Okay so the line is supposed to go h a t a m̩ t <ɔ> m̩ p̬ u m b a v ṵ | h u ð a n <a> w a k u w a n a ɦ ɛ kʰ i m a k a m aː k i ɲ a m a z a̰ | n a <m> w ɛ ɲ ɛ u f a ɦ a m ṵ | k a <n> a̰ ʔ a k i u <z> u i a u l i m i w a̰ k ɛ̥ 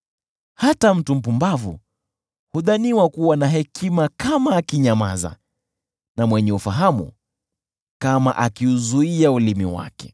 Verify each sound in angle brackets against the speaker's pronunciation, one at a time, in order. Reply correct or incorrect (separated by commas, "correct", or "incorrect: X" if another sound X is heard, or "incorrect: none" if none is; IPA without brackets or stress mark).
incorrect: u, incorrect: i, correct, incorrect: m, correct